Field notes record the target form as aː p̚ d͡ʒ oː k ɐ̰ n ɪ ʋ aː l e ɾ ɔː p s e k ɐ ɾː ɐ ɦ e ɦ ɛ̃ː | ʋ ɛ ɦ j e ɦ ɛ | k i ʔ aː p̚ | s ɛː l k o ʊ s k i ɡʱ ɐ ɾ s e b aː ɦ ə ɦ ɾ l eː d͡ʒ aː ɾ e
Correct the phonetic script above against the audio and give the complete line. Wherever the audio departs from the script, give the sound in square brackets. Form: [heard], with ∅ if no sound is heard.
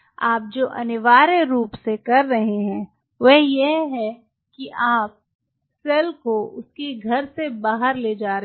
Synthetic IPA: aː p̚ d͡ʒ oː [ʔ] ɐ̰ n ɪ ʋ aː [ɾ] e ɾ [uː] p s e k ɐ ɾː ɐ ɦ e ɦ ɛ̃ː | ʋ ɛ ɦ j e ɦ ɛ | k i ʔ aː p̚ | s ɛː l k o ʊ s k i ɡʱ ɐ ɾ s e b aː ɦ ə [∅] ɾ l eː d͡ʒ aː ɾ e

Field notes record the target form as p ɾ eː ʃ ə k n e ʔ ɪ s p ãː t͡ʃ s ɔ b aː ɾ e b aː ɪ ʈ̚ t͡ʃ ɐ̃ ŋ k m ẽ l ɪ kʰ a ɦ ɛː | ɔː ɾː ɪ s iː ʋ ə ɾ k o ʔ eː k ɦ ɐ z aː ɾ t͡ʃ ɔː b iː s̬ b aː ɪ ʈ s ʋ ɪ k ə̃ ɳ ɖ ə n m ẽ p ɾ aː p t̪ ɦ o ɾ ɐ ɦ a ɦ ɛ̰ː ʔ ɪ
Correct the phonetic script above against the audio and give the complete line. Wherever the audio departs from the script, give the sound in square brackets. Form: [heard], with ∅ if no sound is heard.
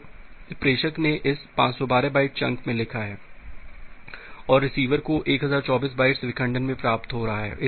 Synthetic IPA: p ɾ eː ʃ ə k n e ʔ ɪ s p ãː t͡ʃ s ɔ b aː ɾ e b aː ɪ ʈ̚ t͡ʃ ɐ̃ ŋ k m ẽ l ɪ kʰ a ɦ ɛː | ɔː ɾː ɪ s iː ʋ ə ɾ k o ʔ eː k ɦ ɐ z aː ɾ t͡ʃ ɔː b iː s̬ b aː ɪ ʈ s ʋ ɪ k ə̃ ɳ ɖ ə n m ẽ p ɾ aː p t̪ ɦ o ɾ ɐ ɦ a ɦ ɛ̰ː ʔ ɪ

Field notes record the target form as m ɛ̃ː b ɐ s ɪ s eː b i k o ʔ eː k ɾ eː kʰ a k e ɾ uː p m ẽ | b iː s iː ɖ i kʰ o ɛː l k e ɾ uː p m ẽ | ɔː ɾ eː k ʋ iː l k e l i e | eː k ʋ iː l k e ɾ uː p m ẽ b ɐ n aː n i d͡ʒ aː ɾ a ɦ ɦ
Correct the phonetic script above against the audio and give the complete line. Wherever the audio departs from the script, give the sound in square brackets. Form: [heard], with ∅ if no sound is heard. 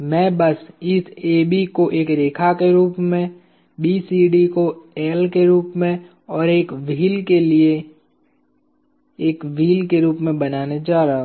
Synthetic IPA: m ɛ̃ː b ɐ s ɪ s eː b i k o ʔ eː k ɾ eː kʰ a k e ɾ uː p m ẽ | b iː s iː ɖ i [k] o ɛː l k e ɾ uː p m ẽ | ɔː ɾ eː k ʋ iː l k e l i e | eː k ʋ iː l k e ɾ uː p m ẽ b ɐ n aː n [e] d͡ʒ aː ɾ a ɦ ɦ

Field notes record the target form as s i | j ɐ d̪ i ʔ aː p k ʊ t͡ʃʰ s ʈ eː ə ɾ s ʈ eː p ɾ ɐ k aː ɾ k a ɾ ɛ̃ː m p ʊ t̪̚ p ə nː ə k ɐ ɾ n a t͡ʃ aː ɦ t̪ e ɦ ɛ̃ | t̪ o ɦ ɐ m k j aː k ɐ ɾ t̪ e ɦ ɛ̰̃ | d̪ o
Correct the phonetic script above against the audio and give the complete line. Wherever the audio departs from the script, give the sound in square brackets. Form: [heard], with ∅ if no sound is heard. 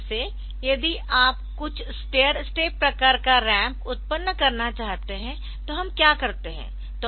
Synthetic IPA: s [e] | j ɐ d̪ i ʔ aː p k ʊ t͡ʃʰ s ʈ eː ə ɾ s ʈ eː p ɾ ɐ k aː ɾ k a ɾ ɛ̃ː m p ʊ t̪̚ p ə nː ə k ɐ ɾ n a t͡ʃ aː ɦ t̪ e ɦ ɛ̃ | t̪ o ɦ ɐ m k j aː k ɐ ɾ t̪ e ɦ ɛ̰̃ | [t̪] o

